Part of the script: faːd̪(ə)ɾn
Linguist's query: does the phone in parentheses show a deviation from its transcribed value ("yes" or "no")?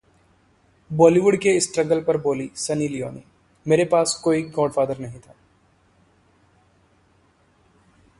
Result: no